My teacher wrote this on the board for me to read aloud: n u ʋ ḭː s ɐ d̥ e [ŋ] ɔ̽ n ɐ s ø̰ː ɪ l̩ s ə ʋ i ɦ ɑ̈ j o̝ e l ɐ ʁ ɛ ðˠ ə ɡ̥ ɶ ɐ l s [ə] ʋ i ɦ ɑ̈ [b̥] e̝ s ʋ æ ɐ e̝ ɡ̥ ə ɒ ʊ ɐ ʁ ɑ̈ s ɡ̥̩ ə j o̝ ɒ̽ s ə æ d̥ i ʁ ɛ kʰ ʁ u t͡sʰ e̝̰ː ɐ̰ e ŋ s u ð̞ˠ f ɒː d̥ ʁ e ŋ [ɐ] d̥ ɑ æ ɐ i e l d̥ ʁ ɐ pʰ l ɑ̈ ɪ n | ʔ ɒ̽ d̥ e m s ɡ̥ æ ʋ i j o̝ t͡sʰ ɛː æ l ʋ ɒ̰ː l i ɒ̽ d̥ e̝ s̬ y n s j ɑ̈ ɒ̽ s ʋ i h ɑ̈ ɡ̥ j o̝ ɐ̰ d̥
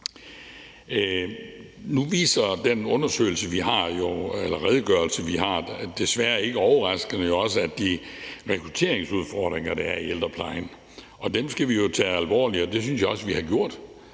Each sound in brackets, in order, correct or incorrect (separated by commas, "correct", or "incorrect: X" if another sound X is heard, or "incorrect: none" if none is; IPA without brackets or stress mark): incorrect: n, correct, incorrect: d̥, correct